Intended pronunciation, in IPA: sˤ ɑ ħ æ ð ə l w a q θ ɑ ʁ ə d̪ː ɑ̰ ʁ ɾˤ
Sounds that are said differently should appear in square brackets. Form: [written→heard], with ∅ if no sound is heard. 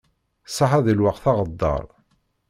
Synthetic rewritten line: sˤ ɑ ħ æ ð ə l w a q θ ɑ ʁ ə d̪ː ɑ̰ [ʁ→∅] ɾˤ